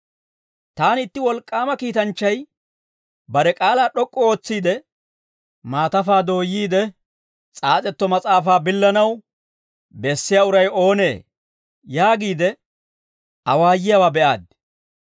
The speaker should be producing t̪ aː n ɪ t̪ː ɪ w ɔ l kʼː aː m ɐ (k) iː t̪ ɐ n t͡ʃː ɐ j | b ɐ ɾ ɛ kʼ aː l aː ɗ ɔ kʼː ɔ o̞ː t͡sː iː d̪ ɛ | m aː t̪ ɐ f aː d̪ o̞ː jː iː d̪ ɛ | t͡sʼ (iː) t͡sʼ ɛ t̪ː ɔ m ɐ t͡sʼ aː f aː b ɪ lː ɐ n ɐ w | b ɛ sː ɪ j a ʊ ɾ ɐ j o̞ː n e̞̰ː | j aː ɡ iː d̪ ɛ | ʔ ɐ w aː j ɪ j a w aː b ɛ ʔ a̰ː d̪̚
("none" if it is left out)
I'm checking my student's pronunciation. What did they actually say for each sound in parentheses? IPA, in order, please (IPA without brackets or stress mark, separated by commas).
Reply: k, aː